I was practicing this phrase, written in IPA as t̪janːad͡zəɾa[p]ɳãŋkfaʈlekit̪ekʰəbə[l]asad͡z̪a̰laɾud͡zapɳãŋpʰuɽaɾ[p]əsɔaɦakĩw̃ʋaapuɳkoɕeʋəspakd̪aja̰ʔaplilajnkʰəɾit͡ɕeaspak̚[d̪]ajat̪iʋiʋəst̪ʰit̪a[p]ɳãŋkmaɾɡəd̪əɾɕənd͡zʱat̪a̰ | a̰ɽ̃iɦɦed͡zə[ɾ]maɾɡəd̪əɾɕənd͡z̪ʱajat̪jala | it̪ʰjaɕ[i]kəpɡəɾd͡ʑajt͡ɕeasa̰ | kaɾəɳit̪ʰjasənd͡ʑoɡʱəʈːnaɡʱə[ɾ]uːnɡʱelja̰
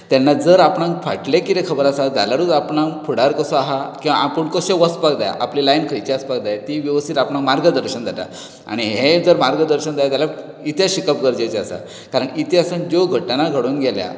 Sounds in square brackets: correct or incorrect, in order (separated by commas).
correct, incorrect, incorrect, correct, correct, correct, correct, incorrect